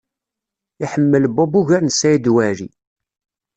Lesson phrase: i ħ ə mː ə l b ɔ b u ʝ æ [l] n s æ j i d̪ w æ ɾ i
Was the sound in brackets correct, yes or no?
no